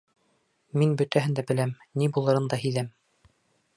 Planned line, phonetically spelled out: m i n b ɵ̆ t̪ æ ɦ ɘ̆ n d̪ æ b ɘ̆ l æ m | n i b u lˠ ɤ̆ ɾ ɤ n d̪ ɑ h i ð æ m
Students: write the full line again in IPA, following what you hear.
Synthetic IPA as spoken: m i n b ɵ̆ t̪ æ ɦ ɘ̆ n d̪ æ b ɘ̆ l æ m | n i b u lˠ ɤ̆ ɾ ɤ n d̪ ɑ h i ð æ m